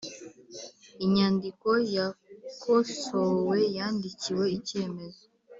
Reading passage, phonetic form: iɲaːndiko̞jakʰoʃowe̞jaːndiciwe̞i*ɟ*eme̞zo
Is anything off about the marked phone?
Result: yes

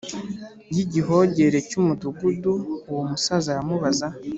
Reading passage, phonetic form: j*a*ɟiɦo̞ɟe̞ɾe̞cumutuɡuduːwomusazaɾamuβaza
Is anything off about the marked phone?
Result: yes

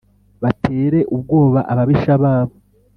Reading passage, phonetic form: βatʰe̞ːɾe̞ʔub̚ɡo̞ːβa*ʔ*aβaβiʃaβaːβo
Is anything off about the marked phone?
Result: no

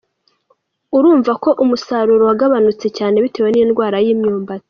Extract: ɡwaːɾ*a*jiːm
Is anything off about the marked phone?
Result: no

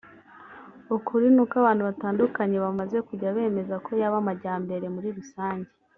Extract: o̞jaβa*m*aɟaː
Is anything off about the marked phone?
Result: no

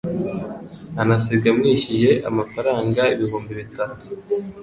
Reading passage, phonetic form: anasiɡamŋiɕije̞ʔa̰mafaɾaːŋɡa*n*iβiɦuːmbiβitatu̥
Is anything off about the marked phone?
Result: yes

